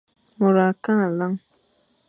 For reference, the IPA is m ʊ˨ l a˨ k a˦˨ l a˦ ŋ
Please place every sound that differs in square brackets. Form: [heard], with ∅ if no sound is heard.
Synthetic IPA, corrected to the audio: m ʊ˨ [ɾ] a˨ k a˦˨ l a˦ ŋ